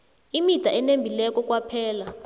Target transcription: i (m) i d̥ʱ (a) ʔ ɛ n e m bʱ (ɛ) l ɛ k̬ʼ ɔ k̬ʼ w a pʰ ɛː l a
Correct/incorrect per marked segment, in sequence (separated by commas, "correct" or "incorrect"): correct, correct, incorrect